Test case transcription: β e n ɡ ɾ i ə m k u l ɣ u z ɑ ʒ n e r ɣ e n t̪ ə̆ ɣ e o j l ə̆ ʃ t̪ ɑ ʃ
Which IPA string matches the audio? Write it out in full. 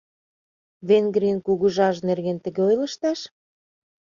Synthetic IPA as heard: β e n ɡ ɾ i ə n k u ɣ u ʒ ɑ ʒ n e r ɣ e n t̪ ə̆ ɣ e o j l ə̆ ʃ t̪ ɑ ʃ

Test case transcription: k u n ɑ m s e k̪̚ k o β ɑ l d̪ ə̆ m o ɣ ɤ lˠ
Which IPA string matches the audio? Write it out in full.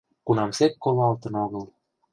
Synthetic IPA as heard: k u n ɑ m s e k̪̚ k o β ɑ l t̪ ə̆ n o ɣ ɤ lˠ

